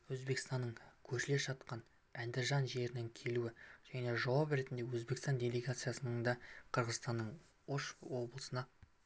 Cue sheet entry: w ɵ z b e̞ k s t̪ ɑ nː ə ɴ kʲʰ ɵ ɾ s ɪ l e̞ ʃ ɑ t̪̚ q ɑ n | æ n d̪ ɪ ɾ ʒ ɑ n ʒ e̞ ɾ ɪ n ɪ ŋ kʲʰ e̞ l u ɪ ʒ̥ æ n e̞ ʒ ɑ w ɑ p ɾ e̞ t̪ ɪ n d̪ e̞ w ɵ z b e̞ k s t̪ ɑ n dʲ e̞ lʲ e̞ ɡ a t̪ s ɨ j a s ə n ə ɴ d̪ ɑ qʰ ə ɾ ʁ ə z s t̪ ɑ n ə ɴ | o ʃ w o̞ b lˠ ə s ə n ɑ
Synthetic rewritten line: w ɵ z b e̞ k s t̪ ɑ nː ə ɴ kʲʰ ɵ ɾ ʃ ɪ l e̞ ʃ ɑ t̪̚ q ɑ n | æ n d̪ ɪ ɾ ʒ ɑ n ʒ e̞ ɾ ɪ n ɪ ŋ kʲʰ e̞ l u ɪ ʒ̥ æ n e̞ ʒ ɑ w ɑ p ɾ e̞ t̪ ɪ n d̪ e̞ w ɵ z b e̞ k s t̪ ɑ n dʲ e̞ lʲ e̞ ɡ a t̪ s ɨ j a s ə n ə ɴ d̪ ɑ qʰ ə ɾ ʁ ə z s t̪ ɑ nː ə ɴ | o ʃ w o̞ b lˠ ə s ə n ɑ